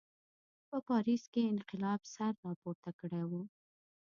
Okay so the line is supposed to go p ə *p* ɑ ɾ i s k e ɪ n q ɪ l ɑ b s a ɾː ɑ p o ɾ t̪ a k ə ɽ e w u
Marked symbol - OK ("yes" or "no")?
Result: yes